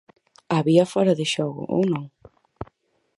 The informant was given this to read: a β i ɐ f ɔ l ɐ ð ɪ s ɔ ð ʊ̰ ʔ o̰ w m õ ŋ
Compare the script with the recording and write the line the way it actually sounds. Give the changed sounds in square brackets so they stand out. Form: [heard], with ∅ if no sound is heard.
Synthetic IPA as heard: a β i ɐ f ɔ [ɾ] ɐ ð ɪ [ʃ] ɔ [ɣ] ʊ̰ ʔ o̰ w [n] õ ŋ

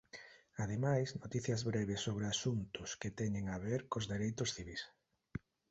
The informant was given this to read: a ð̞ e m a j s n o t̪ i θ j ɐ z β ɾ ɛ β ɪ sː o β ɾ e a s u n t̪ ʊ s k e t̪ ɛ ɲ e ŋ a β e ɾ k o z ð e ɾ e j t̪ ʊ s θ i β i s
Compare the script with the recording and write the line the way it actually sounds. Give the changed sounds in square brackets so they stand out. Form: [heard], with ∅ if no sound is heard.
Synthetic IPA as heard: a ð̞ e m a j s n o t̪ i θ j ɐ z β ɾ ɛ β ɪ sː o β ɾ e a s u n t̪ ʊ s k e t̪ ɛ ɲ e ŋ a β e ɾ k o z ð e ɾ e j t̪ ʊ s θ i β i s

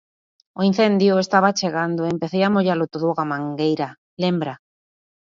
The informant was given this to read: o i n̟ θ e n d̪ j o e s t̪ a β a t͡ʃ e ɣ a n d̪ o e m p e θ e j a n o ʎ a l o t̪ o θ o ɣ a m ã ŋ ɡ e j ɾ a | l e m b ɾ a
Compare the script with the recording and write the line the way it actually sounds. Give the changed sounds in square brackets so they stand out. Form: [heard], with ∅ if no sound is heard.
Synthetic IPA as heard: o i n̟ θ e n d̪ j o e s t̪ a β a t͡ʃ e ɣ a n d̪ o e m p e θ e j a [m] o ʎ a l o t̪ o [ð] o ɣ a m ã ŋ ɡ e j ɾ a | l e m b ɾ a

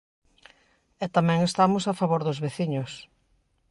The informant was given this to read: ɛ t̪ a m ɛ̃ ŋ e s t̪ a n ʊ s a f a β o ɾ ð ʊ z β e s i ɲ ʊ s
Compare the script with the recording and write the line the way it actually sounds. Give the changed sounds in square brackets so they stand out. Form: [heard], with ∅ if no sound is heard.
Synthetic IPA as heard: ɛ t̪ a m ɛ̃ ŋ e s t̪ a [m] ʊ s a f a β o ɾ ð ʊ z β e [θ] i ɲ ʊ s

